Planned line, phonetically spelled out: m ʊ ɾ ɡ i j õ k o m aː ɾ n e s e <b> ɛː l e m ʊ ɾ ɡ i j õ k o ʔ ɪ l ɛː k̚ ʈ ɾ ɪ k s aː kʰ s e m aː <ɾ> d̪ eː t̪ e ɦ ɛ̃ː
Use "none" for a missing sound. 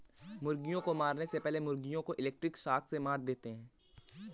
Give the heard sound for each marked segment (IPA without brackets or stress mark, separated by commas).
p, ɾ